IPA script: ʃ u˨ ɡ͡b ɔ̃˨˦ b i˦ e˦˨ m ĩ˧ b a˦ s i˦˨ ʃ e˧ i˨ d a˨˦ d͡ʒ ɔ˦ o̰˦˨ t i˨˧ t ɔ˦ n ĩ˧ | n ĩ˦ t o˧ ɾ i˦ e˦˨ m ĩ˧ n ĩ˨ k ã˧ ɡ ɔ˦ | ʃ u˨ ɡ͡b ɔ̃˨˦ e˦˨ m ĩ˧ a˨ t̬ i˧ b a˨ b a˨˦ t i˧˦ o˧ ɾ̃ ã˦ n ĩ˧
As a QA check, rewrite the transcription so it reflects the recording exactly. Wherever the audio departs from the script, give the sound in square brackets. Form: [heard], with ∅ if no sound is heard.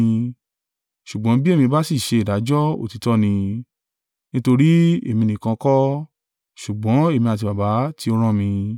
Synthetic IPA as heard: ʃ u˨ ɡ͡b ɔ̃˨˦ b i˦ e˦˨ m ĩ˧ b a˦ s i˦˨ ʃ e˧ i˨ d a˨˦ d͡ʒ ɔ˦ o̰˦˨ t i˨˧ t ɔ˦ n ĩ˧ | n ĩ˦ t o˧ ɾ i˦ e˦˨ m ĩ˧ n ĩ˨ k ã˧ [k] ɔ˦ | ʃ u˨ ɡ͡b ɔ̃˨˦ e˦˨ m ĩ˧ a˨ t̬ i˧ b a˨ b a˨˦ t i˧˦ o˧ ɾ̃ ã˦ [m] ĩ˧